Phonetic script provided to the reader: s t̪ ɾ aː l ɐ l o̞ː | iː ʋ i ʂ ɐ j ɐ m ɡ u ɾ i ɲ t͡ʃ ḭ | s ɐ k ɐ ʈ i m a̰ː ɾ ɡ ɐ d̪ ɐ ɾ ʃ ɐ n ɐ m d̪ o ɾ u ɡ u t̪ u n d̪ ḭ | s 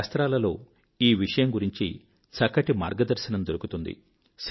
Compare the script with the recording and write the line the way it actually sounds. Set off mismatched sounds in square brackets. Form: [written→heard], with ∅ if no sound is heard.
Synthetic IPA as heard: s t̪ ɾ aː l ɐ l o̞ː | iː ʋ i ʂ ɐ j ɐ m ɡ u ɾ i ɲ t͡ʃ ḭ | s ɐ k ɐ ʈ i m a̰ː ɾ ɡ ɐ d̪ ɐ ɾ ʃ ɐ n ɐ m d̪ o ɾ u [ɡ→k] u t̪ u n d̪ ḭ | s